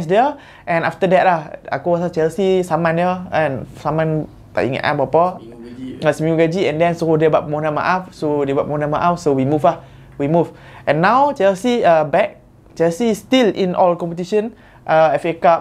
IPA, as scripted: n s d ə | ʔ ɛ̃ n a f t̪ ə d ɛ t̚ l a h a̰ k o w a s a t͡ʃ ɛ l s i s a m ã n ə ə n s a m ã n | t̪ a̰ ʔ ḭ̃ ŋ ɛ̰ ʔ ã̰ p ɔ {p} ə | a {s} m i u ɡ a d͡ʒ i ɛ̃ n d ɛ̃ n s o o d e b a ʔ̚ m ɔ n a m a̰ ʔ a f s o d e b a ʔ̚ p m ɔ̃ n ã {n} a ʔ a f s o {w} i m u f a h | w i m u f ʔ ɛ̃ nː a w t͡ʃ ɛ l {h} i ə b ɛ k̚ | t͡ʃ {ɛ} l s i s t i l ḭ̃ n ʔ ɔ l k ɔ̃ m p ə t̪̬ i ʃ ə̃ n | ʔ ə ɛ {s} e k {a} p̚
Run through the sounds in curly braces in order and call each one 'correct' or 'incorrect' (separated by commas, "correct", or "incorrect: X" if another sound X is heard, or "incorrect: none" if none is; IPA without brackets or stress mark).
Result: correct, correct, incorrect: m, correct, incorrect: s, correct, incorrect: f, correct